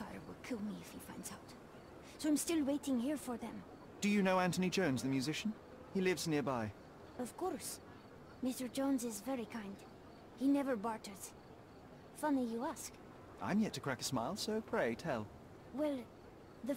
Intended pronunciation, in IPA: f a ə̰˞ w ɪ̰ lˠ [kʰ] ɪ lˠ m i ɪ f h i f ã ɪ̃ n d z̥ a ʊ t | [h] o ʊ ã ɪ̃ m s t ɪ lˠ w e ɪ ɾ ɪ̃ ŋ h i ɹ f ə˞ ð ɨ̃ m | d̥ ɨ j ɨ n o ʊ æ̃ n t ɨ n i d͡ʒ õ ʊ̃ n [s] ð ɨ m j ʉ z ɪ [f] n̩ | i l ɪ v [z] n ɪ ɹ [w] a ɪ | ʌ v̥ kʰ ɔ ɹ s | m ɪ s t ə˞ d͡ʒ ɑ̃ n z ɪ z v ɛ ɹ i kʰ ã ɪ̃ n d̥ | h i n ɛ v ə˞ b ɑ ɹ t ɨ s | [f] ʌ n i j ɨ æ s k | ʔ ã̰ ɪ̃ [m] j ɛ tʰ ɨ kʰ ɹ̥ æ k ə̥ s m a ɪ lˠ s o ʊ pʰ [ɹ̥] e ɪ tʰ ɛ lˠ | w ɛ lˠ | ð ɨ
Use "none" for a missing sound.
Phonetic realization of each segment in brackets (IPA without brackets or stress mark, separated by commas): kʰ, s, z, ʃ, z, b, f, m, ɹ̥